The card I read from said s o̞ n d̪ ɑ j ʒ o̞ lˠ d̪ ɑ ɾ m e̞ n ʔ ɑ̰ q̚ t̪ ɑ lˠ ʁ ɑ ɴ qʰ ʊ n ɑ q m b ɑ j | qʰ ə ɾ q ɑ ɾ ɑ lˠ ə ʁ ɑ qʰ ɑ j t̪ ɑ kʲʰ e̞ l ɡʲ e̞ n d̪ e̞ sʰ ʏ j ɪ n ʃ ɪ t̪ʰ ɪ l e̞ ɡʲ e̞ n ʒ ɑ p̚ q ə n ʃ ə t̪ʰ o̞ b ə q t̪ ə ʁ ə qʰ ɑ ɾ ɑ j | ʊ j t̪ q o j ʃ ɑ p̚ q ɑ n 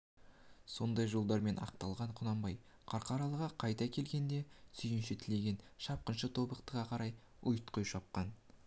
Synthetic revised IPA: s o̞ n d̪ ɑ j ʒ o̞ lˠ d̪ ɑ ɾ m e̞ n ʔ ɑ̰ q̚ t̪ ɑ lˠ ʁ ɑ ɴ qʰ ʊ n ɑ m b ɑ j | qʰ ɑ ɾ q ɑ ɾ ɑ lˠ ə ʁ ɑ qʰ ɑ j t̪ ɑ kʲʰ e̞ l ɡʲ e̞ n d̪ e̞ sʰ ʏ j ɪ n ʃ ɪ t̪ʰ ɪ l e̞ ɡʲ e̞ n ʃ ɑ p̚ q ə n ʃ ə t̪ʰ o̞ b ə q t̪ ə ʁ ɑ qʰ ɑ ɾ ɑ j | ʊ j t̪ q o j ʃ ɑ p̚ q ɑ n